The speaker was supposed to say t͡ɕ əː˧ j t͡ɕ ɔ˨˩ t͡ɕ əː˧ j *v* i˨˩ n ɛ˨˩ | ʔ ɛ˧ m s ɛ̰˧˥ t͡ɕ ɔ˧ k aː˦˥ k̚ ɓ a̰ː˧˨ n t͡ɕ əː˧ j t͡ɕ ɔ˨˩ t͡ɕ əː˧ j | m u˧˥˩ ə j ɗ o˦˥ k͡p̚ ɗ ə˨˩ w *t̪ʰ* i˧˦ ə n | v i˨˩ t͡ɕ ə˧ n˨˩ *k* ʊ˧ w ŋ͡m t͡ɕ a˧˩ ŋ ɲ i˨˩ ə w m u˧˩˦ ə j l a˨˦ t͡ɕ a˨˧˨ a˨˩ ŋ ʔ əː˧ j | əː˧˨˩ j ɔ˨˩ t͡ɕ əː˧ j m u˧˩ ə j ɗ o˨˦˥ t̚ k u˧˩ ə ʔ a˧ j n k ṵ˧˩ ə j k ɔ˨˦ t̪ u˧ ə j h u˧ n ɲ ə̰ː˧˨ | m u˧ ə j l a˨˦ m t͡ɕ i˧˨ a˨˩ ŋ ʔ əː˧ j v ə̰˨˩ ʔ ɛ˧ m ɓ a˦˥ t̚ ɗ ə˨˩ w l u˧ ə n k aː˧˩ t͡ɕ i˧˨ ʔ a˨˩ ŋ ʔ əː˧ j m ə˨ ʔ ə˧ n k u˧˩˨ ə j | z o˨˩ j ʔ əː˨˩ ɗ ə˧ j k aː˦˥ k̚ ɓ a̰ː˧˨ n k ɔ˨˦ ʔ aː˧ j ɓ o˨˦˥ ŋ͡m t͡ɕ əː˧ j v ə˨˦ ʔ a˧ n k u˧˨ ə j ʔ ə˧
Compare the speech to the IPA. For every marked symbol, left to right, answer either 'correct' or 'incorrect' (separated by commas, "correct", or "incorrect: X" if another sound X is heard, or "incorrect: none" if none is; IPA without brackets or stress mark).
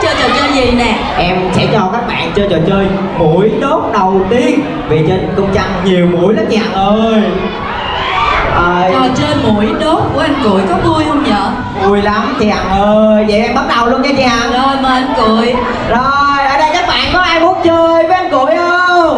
incorrect: z, incorrect: t̪, correct